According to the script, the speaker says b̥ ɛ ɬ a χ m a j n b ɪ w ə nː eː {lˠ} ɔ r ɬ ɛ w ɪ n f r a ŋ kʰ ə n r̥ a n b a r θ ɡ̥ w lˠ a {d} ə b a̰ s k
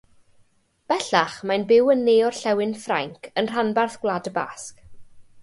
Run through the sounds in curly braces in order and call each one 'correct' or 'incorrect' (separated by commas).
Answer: incorrect, correct